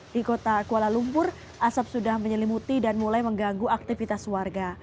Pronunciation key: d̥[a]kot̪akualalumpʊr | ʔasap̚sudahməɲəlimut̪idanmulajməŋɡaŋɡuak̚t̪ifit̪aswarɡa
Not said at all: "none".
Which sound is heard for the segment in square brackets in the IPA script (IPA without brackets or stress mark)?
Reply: i